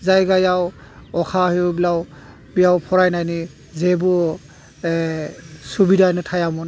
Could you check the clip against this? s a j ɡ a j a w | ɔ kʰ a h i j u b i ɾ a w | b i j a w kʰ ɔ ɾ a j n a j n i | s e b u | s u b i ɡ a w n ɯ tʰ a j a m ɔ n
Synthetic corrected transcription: z a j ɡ a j a w | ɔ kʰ a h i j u b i l a w | b i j a w pʰ ɔ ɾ a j n a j n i | z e b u | s u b i d a n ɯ tʰ a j a m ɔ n